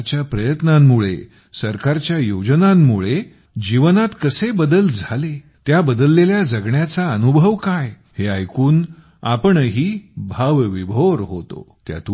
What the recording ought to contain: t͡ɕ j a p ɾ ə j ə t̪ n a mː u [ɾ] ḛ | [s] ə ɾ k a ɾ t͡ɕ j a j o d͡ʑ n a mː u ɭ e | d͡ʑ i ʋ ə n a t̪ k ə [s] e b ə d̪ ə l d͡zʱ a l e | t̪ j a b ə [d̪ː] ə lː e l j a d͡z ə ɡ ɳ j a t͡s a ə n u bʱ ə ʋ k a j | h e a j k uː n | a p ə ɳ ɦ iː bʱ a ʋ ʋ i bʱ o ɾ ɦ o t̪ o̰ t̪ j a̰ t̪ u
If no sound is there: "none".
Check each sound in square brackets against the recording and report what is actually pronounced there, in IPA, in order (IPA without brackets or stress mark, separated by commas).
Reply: ɭ, s, s, d̪